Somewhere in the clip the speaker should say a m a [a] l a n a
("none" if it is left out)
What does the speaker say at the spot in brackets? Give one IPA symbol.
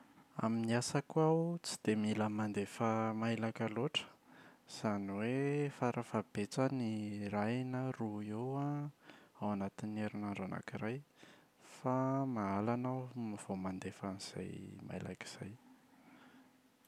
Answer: a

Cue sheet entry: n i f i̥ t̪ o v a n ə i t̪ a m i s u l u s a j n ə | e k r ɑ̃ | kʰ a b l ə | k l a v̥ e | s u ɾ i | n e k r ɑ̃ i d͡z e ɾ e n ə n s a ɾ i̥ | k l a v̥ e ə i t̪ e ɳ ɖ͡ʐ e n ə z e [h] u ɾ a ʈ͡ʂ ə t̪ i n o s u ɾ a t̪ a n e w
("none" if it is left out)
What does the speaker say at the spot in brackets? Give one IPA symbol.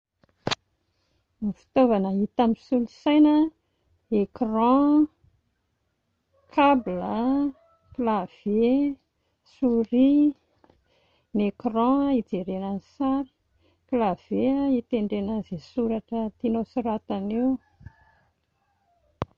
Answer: s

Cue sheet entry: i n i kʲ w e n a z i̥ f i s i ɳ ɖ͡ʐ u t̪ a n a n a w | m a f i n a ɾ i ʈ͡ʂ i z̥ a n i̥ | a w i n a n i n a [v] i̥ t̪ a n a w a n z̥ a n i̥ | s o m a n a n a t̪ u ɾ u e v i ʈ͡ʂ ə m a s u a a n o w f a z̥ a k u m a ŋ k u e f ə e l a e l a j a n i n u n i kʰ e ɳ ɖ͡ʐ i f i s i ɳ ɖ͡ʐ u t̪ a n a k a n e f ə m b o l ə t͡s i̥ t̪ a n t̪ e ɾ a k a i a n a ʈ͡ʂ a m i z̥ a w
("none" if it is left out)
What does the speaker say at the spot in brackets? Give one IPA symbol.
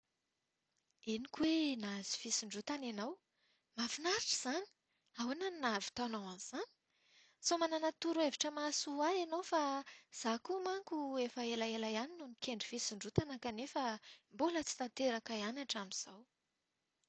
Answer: v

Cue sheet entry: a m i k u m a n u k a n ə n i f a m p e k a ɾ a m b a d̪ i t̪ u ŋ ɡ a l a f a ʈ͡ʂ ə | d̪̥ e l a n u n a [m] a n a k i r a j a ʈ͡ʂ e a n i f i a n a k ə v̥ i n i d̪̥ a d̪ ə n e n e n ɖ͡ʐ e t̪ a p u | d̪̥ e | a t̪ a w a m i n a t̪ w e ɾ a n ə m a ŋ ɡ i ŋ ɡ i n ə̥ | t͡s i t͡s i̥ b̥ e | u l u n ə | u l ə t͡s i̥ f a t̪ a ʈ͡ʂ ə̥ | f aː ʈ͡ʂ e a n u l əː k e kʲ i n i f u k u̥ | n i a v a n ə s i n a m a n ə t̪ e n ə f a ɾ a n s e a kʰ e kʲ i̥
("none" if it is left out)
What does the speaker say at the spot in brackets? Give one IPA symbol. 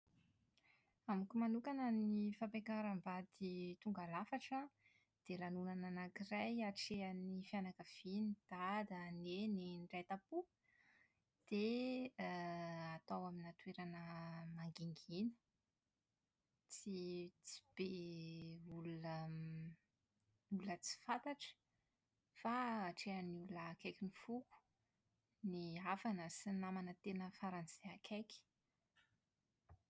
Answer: n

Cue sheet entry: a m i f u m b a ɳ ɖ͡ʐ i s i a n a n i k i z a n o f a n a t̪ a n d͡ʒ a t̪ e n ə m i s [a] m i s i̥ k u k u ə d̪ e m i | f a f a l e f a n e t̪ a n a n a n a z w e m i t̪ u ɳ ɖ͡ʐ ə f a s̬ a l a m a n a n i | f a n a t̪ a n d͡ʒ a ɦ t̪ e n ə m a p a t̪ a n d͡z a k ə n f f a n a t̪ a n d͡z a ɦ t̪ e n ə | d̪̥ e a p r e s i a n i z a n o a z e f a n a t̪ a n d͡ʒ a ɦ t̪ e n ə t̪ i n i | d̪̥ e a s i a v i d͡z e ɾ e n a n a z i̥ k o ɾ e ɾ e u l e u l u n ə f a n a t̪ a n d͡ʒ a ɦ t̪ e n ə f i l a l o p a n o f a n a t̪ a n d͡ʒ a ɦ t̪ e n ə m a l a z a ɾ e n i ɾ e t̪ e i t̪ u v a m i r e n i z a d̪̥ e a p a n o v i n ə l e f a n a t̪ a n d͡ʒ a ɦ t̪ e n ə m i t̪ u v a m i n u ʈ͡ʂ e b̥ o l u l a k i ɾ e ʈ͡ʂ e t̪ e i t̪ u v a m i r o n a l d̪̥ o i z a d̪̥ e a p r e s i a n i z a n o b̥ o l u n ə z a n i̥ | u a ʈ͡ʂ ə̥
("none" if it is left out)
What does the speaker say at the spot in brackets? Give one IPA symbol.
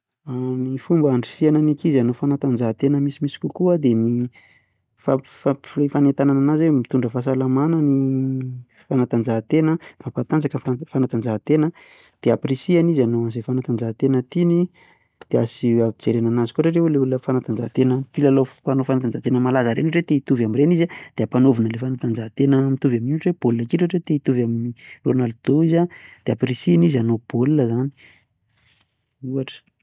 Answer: i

